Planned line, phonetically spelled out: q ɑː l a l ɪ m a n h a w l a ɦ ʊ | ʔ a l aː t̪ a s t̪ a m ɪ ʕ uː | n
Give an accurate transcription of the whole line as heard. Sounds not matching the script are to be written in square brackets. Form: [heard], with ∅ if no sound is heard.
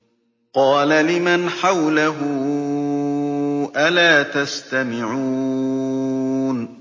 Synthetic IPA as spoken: q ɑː l a l ɪ m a n [ħ] a w l a ɦ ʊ | ʔ a l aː t̪ a s t̪ a m ɪ ʕ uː | n